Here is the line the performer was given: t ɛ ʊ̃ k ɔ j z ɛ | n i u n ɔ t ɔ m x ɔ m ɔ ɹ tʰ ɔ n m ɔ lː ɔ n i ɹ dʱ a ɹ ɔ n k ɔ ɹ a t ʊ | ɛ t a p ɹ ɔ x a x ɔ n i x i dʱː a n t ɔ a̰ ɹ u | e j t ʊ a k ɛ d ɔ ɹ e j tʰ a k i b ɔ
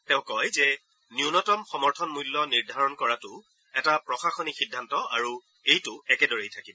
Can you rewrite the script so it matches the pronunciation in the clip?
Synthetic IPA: t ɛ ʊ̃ k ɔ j z ɛ | n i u n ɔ t ɔ m x ɔ m ɔ ɹ tʰ ɔ n m u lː ɔ n i ɹ dʱ a ɹ ɔ n k ɔ ɹ a t ʊ | ɛ t a p ɹ ɔ x a x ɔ n i x i dʱː a n t ɔ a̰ ɹ u | e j t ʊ ɛ k ɛ d ɔ ɹ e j tʰ a k i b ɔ